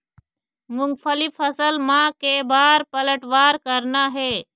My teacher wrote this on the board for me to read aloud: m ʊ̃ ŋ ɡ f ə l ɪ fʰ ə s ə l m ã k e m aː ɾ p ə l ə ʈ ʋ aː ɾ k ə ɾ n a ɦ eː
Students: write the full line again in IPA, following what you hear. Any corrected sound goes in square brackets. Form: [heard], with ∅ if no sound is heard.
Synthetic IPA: m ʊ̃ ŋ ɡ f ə l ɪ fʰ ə s ə l m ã k e [b] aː ɾ p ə l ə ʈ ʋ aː ɾ k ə ɾ n a ɦ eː